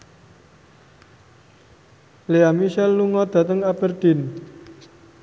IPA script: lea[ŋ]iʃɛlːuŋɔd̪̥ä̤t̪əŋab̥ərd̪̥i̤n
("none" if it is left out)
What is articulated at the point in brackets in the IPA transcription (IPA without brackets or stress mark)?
m